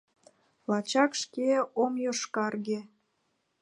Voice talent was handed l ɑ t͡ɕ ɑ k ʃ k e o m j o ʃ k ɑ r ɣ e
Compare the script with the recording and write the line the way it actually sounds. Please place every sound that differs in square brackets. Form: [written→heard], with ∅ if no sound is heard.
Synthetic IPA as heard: l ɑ t͡ɕ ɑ k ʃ k e o m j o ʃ k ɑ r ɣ e